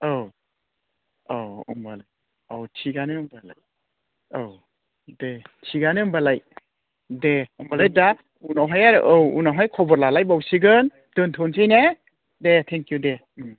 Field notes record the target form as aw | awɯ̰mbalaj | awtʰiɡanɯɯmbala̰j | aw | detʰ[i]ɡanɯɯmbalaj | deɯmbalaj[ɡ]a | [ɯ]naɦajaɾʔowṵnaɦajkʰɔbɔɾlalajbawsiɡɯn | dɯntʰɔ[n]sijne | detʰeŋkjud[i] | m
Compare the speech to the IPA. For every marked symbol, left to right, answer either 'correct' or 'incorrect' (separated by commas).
correct, incorrect, incorrect, correct, incorrect